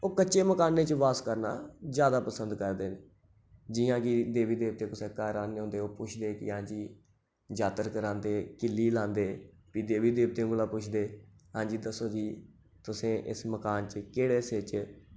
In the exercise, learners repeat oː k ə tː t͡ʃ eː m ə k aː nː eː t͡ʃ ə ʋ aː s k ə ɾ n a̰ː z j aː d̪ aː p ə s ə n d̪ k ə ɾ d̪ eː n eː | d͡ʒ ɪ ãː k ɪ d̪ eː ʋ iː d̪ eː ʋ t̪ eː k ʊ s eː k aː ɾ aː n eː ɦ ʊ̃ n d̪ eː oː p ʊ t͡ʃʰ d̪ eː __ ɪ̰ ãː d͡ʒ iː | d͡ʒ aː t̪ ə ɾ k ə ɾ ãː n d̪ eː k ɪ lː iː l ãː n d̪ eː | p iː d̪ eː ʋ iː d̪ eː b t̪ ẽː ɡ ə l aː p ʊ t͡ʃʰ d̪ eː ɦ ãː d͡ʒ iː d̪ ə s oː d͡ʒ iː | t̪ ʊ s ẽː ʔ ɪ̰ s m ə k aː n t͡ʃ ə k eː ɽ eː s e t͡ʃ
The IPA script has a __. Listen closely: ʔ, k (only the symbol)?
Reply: k